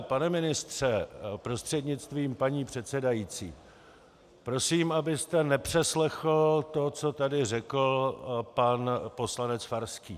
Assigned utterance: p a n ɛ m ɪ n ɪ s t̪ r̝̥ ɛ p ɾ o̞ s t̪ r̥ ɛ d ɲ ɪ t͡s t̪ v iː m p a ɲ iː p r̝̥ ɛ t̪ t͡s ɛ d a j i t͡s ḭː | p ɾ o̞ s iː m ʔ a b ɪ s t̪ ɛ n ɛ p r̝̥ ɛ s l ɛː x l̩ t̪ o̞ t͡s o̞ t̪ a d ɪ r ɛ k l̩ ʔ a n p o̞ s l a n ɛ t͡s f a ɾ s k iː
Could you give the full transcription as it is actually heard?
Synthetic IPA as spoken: p a n ɛ m ɪ n ɪ s t̪ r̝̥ ɛ p ɾ o̞ s t̪ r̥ ɛ d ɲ ɪ t͡s t̪ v iː m p a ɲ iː p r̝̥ ɛ t̪ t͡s ɛ d a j i t͡s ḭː | p ɾ o̞ s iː m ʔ a b ɪ s t̪ ɛ n ɛ p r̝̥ ɛ s l ɛ x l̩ t̪ o̞ t͡s o̞ t̪ a d ɪ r ɛ k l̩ p a n p o̞ s l a n ɛ t͡s f a ɾ s k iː